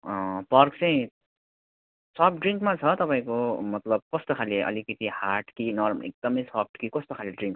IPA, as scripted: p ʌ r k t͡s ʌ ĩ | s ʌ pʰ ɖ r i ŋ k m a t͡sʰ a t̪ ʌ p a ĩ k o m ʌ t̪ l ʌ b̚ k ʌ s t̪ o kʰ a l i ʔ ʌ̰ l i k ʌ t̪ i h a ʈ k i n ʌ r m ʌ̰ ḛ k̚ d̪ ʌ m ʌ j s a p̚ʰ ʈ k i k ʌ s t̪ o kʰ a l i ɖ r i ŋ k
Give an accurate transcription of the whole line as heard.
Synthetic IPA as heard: p ʌ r k t͡s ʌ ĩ | s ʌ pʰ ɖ r i ŋ k m a t͡sʰ ʌ t̪ ʌ p a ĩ k o m ʌ t̪ l ʌ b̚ k ʌ s t̪ o kʰ a l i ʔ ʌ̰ l i k ʌ t̪ i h a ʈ k i n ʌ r m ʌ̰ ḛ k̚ d̪ ʌ m ʌ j s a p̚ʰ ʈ k i k ʌ s t̪ o kʰ a l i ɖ r i ŋ k

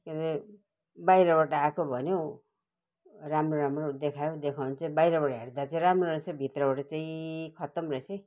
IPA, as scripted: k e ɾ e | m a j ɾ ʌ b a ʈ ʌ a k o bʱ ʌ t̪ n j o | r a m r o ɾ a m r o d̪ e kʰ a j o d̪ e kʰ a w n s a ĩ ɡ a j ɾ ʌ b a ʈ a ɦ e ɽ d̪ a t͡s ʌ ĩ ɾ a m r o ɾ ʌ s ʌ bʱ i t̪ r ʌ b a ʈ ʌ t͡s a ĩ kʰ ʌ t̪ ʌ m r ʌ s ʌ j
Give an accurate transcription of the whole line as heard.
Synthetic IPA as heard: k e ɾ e | b a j ɾ ʌ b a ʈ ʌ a k o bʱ ʌ n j o | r a m r o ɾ a m r o d̪ e kʰ a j o d̪ e kʰ a w n t͡s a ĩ b a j ɾ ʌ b a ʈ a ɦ e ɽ d̪ a t͡s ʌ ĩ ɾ a m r o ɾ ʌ s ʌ bʱ i t̪ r ʌ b a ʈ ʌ t͡s a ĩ kʰ ʌ t̪ ʌ m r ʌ s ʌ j

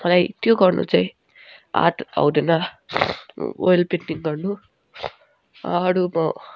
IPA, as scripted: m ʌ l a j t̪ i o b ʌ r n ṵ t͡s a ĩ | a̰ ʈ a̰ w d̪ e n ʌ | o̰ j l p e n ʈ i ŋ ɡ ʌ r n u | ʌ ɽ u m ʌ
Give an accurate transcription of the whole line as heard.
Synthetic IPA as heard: m ʌ l a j t̪ j o ɡ ʌ r n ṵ t͡s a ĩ | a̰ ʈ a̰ w d̪ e n ʌ | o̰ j l p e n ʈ i ŋ ɡ ʌ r n u | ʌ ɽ u m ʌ

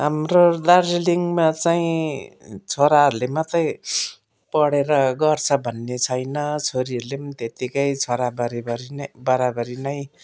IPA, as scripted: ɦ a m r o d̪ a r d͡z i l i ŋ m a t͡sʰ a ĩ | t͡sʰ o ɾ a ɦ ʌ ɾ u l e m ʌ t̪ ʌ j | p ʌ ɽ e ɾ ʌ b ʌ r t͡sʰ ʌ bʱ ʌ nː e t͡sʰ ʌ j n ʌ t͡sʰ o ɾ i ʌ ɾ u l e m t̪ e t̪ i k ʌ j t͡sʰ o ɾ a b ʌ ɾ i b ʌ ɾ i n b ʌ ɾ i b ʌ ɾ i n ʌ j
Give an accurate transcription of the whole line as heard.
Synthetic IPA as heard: ɦ a m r o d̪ a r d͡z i l i ŋ m a t͡s a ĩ | t͡sʰ o ɾ a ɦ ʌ ɾ u l e m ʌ t̪ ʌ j | p ʌ ɽ e ɾ ʌ ɡ ʌ r t͡sʰ ʌ bʱ ʌ nː e t͡sʰ ʌ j n ʌ t͡sʰ o ɾ i ʌ ɾ u l e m t̪ e t̪ i k ʌ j t͡sʰ o ɾ a b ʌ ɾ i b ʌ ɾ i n b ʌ ɾ a b ʌ ɾ i n ʌ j

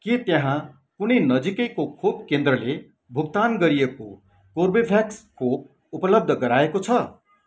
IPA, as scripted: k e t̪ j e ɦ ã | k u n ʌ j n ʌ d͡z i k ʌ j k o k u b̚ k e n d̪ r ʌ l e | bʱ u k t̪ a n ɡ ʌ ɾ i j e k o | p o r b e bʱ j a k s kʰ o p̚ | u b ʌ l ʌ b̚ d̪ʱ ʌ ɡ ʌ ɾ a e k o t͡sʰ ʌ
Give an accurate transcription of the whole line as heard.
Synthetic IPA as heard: k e t̪ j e ɦ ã | k u n ʌ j n ʌ d͡z i k ʌ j k o kʰ u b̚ k e n d̪ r ʌ l e | bʱ u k t̪ a n ɡ ʌ ɾ i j e k o | k o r b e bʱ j a k s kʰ o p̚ | u p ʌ l ʌ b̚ d̪ʱ ʌ ɡ ʌ ɾ a e k o t͡sʰ ʌ

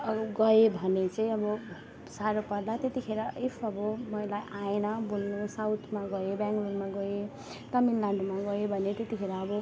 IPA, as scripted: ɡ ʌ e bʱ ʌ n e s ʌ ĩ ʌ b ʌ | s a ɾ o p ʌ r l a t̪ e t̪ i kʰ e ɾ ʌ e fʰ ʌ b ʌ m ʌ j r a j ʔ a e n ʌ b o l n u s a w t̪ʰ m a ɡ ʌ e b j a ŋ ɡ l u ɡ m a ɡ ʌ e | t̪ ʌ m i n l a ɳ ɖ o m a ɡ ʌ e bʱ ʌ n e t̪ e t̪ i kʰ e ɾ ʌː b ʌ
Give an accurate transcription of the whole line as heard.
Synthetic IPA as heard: ɡ ʌ e bʱ ʌ n e t͡s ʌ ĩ ʌ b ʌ | s a ɾ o p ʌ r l a t̪ e t̪ i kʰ e ɾ ʌ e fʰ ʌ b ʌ m ʌ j l a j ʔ a e n ʌ b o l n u s a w t̪ʰ m a ɡ ʌ e b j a ŋ ɡ l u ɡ m a ɡ ʌ e | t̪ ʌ m i n l a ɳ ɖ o m a ɡ ʌ e bʱ ʌ n e t̪ e t̪ i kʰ e ɾ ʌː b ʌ

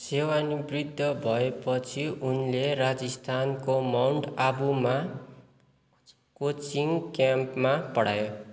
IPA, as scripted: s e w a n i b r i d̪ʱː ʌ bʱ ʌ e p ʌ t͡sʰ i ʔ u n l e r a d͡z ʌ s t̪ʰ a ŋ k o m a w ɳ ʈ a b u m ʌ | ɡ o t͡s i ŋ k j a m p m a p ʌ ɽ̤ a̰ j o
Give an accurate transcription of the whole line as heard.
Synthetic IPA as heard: s e w a n i b r i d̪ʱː ʌ bʱ ʌ e p ʌ t͡sʰ i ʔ u n l e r a d͡z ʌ s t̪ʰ a n k o m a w ɳ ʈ a b u m a | k o t͡s i ŋ k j a m p m a p ʌ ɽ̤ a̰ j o

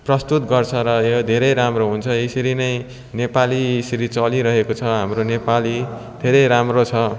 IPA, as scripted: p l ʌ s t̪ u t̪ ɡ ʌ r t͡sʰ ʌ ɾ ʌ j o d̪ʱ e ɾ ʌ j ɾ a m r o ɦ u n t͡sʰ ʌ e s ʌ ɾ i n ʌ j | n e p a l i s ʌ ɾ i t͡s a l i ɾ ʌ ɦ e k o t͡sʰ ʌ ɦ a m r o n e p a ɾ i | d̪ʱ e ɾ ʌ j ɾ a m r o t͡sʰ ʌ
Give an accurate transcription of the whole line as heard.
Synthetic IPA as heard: p r ʌ s t̪ u t̪ ɡ ʌ r t͡sʰ ʌ ɾ ʌ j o d̪ʱ e ɾ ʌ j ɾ a m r o ɦ u n t͡sʰ ʌ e s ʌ ɾ i n ʌ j | n e p a l i s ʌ ɾ i t͡s ʌ l i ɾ ʌ ɦ e k o t͡sʰ ʌ ɦ a m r o n e p a l i | d̪ʱ e ɾ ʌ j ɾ a m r o t͡sʰ ʌ

